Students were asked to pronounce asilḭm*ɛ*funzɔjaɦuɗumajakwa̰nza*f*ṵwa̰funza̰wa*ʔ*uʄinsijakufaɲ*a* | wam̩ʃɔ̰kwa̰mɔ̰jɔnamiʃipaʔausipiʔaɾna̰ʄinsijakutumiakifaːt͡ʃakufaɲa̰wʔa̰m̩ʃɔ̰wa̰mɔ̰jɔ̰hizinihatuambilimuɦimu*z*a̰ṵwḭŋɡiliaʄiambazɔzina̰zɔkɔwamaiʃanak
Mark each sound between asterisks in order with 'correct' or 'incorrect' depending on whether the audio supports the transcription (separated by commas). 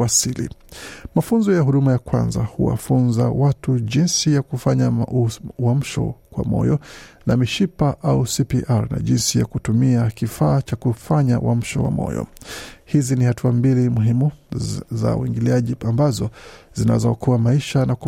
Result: incorrect, incorrect, incorrect, correct, correct